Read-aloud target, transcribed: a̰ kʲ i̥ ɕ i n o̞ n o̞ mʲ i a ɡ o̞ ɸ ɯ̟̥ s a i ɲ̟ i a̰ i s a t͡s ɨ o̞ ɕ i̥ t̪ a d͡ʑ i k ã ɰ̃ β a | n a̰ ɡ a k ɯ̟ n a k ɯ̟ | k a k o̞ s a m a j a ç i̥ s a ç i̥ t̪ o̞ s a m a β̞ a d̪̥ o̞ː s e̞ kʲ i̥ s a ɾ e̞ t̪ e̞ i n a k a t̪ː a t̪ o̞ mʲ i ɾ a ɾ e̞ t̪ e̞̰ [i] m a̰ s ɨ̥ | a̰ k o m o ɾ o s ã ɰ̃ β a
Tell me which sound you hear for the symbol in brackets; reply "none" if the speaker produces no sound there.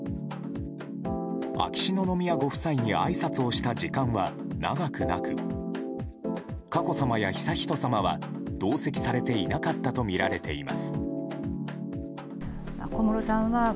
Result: i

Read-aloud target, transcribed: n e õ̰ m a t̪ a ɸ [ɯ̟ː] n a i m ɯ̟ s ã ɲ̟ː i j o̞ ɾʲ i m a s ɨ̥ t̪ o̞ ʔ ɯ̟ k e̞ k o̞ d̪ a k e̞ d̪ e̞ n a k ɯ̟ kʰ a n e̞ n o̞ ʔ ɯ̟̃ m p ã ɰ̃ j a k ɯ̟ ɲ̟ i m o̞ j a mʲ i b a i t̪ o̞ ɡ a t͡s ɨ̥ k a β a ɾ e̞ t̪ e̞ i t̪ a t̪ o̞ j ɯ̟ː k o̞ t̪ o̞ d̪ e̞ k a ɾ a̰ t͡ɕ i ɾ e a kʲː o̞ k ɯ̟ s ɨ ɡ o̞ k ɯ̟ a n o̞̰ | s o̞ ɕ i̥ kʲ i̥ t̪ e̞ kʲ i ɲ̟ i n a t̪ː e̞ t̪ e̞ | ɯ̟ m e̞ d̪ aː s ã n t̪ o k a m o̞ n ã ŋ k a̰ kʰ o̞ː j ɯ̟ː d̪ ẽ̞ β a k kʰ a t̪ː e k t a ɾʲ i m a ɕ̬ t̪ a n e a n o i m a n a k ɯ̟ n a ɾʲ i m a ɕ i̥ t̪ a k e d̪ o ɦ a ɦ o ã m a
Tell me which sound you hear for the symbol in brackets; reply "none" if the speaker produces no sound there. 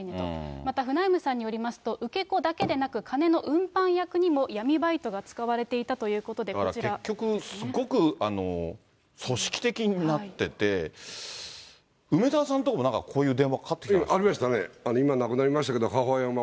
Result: ɯ̟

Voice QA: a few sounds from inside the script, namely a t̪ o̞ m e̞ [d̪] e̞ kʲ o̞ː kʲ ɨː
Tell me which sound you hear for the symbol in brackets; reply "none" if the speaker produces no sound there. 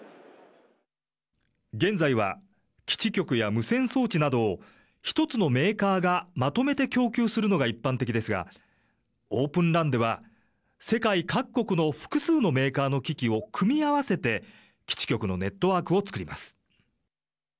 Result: t̪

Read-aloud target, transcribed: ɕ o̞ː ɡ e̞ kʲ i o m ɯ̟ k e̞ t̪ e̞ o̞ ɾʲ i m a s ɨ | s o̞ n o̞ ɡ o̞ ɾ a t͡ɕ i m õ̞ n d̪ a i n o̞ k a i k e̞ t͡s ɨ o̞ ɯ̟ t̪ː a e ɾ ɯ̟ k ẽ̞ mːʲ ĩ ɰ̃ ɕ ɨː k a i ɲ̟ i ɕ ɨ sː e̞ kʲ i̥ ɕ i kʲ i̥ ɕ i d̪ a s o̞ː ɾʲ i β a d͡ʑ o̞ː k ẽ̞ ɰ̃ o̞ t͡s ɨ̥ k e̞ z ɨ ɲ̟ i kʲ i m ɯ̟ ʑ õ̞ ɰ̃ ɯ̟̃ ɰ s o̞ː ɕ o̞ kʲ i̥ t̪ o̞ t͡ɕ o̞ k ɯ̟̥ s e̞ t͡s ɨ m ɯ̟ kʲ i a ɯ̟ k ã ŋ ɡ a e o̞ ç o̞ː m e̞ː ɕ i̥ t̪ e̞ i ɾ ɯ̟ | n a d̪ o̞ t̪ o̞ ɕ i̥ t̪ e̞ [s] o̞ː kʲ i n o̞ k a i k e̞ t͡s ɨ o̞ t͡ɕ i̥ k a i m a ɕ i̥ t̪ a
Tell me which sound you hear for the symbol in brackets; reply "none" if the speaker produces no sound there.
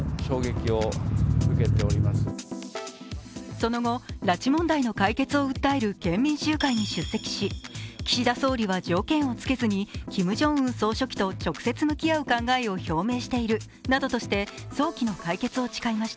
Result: s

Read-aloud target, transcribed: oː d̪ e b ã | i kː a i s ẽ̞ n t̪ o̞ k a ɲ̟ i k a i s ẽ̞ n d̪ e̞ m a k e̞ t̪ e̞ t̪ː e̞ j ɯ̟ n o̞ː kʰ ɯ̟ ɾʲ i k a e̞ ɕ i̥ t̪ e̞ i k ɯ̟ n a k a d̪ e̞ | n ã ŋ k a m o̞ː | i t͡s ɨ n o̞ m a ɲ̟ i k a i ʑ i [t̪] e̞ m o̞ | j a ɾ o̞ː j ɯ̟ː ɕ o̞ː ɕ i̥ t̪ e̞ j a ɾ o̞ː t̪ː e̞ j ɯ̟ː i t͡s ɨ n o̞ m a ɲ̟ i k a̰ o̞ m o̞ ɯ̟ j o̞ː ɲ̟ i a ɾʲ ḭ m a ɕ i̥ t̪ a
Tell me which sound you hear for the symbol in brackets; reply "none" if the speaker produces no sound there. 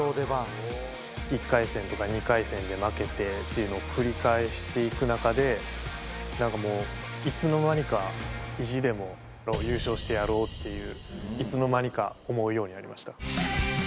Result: d̪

